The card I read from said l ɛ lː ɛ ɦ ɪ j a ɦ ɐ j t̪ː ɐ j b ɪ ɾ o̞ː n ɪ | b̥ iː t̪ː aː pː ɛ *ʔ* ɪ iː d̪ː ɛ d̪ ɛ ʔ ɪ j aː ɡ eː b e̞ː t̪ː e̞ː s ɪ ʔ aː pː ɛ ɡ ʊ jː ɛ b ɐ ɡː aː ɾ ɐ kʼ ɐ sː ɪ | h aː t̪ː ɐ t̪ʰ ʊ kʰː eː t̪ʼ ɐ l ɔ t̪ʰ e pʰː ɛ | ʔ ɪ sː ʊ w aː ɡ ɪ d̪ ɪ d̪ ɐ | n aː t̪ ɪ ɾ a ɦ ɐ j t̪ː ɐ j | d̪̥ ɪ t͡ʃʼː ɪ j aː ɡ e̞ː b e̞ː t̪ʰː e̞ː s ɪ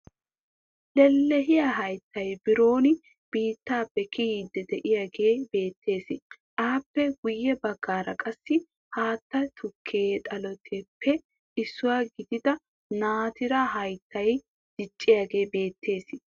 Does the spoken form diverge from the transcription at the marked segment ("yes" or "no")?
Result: yes